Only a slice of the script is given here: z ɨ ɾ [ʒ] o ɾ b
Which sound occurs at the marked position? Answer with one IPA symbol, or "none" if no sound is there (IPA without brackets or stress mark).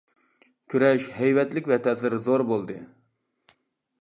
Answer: z